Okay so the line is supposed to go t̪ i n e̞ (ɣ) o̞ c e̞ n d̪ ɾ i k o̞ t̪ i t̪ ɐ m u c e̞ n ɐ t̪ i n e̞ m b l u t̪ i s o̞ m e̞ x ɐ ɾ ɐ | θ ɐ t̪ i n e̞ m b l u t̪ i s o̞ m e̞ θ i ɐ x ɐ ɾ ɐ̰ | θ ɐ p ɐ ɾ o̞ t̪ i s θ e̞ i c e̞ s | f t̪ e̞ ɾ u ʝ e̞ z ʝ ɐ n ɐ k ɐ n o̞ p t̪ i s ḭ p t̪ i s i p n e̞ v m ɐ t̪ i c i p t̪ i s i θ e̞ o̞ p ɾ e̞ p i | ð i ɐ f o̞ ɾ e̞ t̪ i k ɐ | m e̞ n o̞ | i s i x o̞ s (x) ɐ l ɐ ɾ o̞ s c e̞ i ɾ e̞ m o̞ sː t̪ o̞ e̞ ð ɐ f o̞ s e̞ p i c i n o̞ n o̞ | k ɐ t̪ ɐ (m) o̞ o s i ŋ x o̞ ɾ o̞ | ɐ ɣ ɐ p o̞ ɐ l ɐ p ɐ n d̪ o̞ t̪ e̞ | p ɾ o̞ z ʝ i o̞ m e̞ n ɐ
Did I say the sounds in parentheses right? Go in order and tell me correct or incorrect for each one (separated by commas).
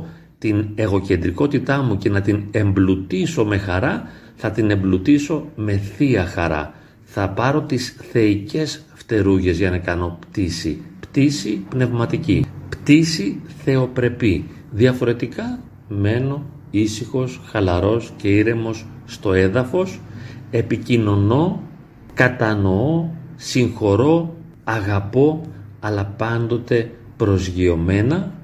correct, correct, incorrect